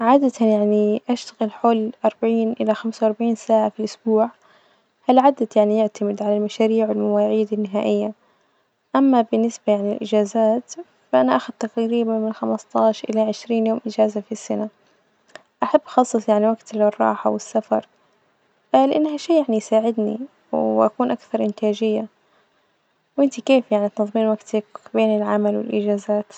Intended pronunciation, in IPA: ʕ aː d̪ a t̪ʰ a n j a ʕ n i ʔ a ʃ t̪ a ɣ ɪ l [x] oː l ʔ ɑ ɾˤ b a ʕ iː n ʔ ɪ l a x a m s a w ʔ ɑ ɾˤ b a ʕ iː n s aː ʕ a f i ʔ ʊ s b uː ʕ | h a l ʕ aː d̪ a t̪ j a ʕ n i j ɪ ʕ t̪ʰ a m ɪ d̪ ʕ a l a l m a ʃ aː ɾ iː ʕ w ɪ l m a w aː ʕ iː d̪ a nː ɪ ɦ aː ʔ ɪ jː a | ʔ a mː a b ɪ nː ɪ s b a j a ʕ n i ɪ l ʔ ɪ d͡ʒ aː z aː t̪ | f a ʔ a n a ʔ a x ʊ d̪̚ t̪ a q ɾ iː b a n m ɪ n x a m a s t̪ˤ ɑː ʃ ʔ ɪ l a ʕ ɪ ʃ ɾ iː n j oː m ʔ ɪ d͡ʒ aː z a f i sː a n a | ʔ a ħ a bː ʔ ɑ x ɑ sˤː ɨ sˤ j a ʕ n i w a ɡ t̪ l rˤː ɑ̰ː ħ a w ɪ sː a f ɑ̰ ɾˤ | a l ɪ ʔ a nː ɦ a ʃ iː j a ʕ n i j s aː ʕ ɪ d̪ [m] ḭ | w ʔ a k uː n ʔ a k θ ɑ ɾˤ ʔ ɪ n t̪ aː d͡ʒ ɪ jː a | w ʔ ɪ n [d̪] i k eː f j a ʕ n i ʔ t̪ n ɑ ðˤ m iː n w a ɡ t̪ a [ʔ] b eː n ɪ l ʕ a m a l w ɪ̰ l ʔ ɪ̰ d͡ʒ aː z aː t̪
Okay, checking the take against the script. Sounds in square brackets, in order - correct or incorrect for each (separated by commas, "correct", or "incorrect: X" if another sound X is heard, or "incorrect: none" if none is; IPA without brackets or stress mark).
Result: incorrect: ħ, incorrect: n, incorrect: t̪, incorrect: k